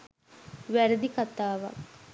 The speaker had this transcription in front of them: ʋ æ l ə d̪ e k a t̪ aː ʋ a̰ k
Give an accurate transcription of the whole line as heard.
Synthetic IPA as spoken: ʋ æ ɾ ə d̪ i k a t̪ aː ʋ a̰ k